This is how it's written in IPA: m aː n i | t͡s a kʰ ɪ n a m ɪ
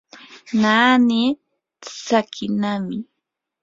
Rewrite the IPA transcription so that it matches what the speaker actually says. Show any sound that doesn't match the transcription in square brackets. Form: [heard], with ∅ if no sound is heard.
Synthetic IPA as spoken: [n] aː n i | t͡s a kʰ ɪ n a m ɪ